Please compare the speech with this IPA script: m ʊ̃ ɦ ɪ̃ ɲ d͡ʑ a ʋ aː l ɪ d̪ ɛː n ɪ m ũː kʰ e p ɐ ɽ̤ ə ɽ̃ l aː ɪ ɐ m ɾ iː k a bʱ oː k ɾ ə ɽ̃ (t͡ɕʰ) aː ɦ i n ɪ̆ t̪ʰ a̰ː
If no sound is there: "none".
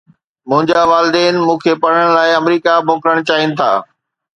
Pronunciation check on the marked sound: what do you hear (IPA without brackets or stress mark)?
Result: t͡ɕ